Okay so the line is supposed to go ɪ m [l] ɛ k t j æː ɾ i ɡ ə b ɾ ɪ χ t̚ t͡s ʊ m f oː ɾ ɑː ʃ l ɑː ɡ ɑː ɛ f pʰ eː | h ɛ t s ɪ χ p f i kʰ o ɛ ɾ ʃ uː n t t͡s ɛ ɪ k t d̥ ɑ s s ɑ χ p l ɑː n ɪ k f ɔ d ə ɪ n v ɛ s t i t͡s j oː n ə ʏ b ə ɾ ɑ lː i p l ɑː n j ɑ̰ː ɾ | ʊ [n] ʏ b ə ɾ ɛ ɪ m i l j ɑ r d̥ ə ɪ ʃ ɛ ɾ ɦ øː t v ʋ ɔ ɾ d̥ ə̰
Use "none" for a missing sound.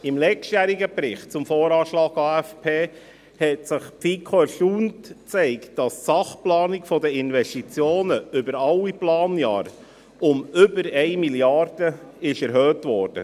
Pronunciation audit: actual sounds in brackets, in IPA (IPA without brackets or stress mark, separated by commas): l, m